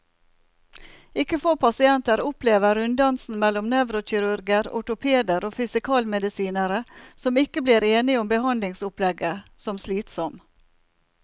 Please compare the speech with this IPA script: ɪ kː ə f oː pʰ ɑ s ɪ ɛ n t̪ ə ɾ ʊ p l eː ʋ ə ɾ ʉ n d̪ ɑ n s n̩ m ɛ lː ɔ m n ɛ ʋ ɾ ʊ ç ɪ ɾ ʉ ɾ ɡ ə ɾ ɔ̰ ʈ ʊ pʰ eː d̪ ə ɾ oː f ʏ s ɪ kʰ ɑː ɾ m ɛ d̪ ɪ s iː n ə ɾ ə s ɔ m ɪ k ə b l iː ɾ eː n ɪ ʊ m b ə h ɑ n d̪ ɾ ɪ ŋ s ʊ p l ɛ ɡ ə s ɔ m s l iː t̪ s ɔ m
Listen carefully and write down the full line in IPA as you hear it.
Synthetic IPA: ɪ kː ə f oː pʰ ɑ s ɪ ɛ n t̪ ə ɾ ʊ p l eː ʋ ə ɾ ʉ n d̪ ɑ n s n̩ m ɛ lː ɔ m n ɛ ʋ ɾ ʊ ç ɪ ɾ ʉ ɾ ɡ ə ɾ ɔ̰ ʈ ʊ pʰ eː d̪ ə ɾ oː f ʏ s ɪ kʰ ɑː l m ɛ d̪ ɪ s iː n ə ɾ ə s ɔ m ɪ k ə b l iː ɾ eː n ɪ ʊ m b ə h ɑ n d̪ l ɪ ŋ s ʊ p l ɛ ɡ ə s ɔ m s l iː t̪ s ɔ m